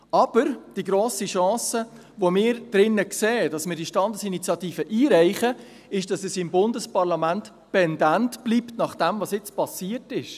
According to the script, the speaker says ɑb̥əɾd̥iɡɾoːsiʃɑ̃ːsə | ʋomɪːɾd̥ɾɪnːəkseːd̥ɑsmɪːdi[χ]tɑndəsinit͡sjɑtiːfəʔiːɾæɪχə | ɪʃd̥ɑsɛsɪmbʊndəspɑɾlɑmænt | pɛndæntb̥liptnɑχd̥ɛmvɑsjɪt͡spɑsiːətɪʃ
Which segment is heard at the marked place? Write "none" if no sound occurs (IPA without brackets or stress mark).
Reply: ʃ